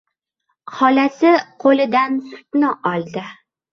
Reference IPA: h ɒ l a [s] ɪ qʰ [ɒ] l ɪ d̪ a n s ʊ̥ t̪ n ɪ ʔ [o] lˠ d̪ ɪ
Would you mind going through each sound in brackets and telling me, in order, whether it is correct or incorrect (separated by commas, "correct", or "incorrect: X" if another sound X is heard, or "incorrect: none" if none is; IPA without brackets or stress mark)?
correct, incorrect: o, incorrect: ɒ